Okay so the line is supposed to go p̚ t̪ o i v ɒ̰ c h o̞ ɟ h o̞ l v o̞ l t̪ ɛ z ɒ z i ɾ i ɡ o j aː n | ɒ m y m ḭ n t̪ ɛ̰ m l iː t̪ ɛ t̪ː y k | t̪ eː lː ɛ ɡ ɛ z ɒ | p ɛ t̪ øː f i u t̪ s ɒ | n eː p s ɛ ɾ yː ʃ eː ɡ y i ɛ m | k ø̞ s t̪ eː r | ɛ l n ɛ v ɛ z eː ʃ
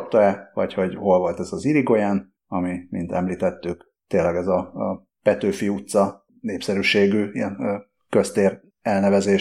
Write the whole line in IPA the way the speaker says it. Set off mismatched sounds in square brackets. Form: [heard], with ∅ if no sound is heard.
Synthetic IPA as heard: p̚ t̪ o [ɛ] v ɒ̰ c h o̞ ɟ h o̞ l v o̞ l t̪ ɛ z ɒ z i ɾ i ɡ o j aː n | ɒ m [i] m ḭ n t̪ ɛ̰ m l iː t̪ ɛ t̪ː y k | t̪ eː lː ɛ ɡ ɛ z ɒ | p ɛ t̪ øː f i u t̪ s ɒ | n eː p s ɛ ɾ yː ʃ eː ɡ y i ɛ [n] | k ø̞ s t̪ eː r | ɛ l n ɛ v ɛ z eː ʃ